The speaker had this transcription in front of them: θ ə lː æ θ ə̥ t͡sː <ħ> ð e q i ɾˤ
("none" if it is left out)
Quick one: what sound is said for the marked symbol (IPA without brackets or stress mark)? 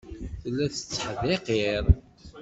ħ